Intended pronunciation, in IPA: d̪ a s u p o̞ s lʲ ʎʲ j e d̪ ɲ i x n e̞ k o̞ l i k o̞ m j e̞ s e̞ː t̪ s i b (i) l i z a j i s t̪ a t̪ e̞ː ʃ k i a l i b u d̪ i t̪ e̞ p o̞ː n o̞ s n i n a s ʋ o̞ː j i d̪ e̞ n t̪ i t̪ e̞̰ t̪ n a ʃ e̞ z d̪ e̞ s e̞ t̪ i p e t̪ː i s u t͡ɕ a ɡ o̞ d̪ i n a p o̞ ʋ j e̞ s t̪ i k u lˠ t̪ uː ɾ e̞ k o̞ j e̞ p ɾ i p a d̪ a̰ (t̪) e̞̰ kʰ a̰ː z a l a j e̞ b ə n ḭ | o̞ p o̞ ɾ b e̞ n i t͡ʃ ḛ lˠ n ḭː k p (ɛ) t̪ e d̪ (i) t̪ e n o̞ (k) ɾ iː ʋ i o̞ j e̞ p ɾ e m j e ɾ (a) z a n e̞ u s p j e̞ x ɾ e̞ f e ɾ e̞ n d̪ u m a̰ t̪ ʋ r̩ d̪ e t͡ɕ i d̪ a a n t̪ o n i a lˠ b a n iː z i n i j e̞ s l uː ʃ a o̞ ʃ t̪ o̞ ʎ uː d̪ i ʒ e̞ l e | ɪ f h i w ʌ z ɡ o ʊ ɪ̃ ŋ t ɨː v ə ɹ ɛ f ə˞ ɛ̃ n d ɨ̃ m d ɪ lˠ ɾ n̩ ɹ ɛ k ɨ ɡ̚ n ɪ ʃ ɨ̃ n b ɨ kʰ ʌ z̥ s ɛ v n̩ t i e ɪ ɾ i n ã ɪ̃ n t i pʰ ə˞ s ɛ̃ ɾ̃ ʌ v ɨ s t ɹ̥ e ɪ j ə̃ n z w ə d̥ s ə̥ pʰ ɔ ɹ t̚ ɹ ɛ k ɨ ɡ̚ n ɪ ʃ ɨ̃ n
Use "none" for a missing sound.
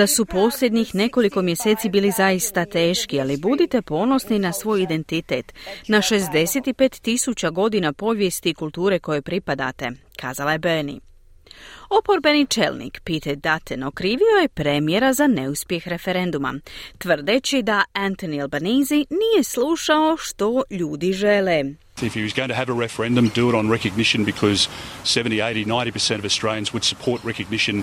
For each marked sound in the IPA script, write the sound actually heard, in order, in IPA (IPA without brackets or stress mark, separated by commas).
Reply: iː, t̪, i, a, k, a